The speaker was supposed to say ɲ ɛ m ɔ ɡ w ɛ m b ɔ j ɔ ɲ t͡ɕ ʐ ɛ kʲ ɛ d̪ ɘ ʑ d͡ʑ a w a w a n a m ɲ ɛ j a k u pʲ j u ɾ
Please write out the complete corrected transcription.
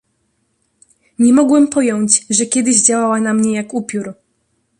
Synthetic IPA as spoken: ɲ ɛ m ɔ ɡ w ɛ m p ɔ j ɔ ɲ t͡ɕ ʐ ɛ kʲ ɛ d̪ ɘ ʑ d͡ʑ a w a w a n a m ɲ ɛ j a k u pʲ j u ɾ